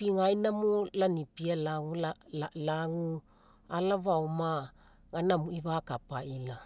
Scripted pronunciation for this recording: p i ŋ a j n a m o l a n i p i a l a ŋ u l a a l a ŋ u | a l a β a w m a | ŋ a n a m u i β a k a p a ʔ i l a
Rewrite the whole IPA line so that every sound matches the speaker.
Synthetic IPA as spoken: p i ŋ a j n a m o l a n i p i a l a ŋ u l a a l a ŋ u | a l a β a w m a | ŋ a n a m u i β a k a p a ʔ i l a

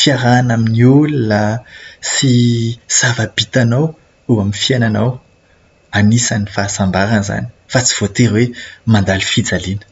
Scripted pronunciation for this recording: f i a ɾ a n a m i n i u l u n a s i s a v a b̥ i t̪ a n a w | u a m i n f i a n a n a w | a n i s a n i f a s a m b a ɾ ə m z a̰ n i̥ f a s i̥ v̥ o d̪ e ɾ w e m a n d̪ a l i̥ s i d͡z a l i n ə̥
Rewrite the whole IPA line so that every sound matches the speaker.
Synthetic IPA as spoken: f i a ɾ a n a m i n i u l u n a s i s a v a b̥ i t̪ a n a w | u a m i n f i a n a n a w | a n i s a n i f a s a m b a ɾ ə n z a̰ n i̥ f a t͡s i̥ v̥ o t̪ e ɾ w e m a n d̪ a l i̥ f i d͡z a l i n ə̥

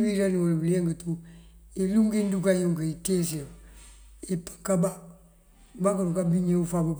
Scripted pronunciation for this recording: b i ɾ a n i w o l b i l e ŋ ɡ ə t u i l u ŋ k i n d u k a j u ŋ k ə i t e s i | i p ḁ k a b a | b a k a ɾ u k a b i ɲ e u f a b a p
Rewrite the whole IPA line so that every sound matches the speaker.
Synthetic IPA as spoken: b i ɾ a n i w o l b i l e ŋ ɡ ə t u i l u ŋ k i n d u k a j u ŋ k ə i t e s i | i p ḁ k a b a | b a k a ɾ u k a b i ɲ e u f a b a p

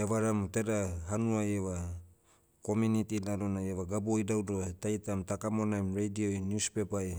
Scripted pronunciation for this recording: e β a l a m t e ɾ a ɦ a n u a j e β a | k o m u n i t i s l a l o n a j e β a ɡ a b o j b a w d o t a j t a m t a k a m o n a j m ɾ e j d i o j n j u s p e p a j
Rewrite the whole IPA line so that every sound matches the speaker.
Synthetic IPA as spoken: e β a ɾ a m t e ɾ a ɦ a n u a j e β a | k o m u n i t i l a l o n a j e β a ɡ a b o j d a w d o t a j t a m t a k a m o n a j m ɾ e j d i o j n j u s p e p a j

